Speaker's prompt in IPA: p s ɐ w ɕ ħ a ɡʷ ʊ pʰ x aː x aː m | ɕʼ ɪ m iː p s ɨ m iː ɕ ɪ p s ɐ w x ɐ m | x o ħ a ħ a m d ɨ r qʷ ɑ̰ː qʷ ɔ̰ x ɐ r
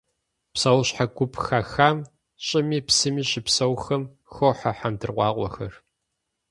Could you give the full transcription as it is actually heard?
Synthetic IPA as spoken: p s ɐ w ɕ ħ a ɡʷ ʊ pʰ x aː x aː m | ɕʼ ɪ m iː p s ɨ m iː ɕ ɪ p s ɐ w x ɐ m | x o ħ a ħ a m d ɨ r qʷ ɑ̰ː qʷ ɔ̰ x ɐ r